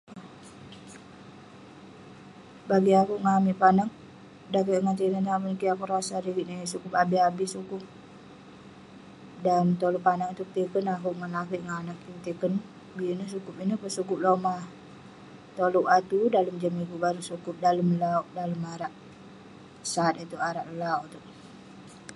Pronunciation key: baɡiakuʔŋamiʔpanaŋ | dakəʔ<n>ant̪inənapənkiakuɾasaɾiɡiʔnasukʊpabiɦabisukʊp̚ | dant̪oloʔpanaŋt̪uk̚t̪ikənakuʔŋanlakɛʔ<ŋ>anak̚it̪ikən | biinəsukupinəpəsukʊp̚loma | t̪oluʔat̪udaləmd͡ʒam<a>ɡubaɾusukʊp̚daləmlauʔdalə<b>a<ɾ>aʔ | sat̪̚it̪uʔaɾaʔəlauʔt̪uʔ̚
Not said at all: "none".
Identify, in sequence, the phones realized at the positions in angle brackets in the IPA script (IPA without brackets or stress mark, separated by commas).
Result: ŋ, ŋ, i, m, ɾ